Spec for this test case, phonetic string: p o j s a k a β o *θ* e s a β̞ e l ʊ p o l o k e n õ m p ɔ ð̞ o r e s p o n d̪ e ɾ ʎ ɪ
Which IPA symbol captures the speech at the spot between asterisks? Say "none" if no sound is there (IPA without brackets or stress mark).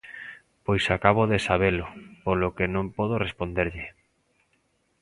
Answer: ð